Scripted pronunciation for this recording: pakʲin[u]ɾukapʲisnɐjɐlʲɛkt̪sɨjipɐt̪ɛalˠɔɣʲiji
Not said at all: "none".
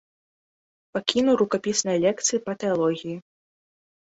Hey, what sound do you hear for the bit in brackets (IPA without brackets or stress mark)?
u